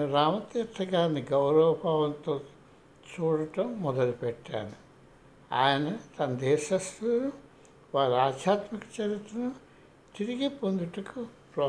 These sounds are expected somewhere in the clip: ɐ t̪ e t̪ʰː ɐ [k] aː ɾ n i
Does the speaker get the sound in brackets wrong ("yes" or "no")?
yes